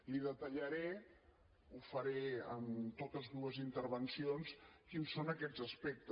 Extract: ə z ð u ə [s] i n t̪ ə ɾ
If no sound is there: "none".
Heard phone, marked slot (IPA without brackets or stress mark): z